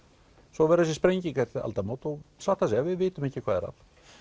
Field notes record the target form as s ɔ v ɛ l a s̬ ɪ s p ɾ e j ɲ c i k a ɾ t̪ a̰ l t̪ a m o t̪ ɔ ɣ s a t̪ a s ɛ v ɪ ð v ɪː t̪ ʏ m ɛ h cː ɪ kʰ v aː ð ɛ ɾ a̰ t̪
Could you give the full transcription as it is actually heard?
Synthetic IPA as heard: s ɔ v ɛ ɾ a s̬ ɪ s p ɾ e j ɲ c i k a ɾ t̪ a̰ l t̪ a m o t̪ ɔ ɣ s a t̪ a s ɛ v ɪ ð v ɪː t̪ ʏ m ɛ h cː ɪ kʰ v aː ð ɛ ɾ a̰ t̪

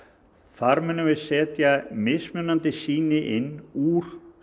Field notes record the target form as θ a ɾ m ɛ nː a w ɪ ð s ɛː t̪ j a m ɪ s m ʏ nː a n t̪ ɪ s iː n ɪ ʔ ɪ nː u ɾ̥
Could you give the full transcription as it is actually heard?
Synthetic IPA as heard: θ a ɾ m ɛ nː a v ɪ ð s ɛː t̪ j a m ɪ s m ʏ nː a n t̪ ɪ s iː n ɪ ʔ ɪ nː u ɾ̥

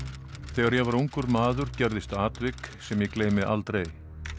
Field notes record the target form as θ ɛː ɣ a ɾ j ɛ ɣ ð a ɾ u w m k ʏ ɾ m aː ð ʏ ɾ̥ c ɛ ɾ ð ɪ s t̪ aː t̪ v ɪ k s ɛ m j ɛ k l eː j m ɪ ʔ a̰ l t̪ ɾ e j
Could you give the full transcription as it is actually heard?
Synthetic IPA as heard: θ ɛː ɣ a ɾ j ɛ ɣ v a ɾ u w ŋ k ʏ ɾ m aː ð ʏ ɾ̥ c ɛ ɾ ð ɪ s t̪ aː t̪ v ɪ k s ɛ m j ɛ k l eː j m ɪ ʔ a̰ l t̪ ɾ e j

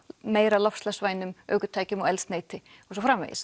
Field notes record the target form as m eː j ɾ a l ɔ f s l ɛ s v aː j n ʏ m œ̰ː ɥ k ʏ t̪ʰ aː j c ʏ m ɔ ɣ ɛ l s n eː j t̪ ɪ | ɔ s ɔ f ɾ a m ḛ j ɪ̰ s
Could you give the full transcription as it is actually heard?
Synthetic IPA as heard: m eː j ɾ a l ɔ f s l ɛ s v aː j n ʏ m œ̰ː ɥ k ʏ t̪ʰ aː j c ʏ m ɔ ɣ ɛ l s n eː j t̪ ɪ | ɔ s ɔ f ɾ a m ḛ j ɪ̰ s

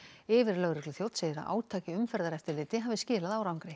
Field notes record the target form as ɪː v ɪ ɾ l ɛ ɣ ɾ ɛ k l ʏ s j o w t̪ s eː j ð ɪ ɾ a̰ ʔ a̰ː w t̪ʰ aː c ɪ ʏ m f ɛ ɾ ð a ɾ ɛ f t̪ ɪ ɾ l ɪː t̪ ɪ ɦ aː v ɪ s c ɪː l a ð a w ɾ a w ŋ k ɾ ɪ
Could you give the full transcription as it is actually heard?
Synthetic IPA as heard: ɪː v ɪ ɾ l œ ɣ ɾ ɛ k l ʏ θ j o w t̪ s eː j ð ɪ ɾ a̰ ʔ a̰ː w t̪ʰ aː c ɪ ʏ m f ɛ ɾ ð a ɾ ɛ f t̪ ɪ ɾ l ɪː t̪ ɪ ɦ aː v ɪ s c ɪː l a ð a w ɾ a w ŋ k ɾ ɪ

